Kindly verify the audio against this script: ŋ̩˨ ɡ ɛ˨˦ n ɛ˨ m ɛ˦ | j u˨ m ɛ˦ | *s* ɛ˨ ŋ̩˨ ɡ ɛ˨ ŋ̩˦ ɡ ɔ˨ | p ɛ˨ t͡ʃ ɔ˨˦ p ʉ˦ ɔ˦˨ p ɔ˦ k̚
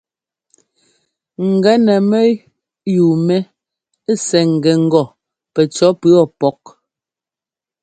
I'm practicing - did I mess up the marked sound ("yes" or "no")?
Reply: no